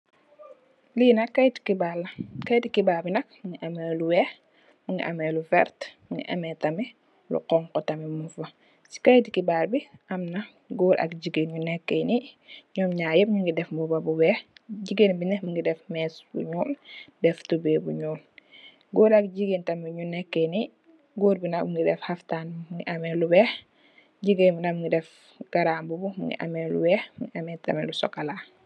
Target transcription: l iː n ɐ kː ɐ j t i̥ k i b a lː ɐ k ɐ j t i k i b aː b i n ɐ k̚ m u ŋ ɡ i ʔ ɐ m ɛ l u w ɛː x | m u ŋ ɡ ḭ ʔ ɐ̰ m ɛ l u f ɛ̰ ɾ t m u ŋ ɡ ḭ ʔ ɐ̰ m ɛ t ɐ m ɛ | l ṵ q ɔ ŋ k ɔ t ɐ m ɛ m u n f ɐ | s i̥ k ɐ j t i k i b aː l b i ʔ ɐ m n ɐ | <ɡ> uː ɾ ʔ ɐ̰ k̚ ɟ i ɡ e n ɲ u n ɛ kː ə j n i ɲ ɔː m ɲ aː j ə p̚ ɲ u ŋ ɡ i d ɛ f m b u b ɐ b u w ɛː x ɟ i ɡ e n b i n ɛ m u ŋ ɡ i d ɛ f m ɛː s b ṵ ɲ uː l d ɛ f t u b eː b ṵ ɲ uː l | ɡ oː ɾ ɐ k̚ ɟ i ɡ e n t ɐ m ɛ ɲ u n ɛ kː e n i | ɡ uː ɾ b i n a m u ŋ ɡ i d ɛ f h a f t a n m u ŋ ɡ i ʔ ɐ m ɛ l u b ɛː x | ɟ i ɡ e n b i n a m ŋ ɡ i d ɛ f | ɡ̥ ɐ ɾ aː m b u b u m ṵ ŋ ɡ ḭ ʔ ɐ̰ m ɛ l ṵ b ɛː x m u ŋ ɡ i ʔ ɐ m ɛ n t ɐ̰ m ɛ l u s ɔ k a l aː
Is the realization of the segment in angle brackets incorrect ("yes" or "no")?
no